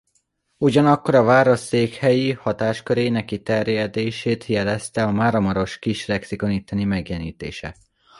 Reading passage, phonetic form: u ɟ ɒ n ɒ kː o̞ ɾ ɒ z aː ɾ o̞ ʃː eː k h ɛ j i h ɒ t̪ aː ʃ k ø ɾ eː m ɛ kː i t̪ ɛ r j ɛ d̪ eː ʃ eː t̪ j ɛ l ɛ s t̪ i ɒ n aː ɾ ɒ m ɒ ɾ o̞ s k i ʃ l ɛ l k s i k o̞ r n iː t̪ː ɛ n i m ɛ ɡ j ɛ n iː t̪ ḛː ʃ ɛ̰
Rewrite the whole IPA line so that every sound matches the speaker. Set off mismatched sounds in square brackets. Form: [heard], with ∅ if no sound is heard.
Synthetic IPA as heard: u ɟ ɒ n ɒ kː o̞ ɾ ɒ [v] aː ɾ o̞ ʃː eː k h ɛ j i h ɒ t̪ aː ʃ k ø ɾ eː [n] ɛ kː i t̪ ɛ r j ɛ d̪ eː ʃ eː t̪ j ɛ l ɛ s t̪ [ɛ] ɒ [m] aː ɾ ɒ m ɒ ɾ o̞ [ʃ] k i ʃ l ɛ [∅] k s i k o̞ [∅] n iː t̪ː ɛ n i m ɛ ɡ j ɛ n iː t̪ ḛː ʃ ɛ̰